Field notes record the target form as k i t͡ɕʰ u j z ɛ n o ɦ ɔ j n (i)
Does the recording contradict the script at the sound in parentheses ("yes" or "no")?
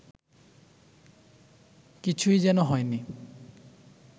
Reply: no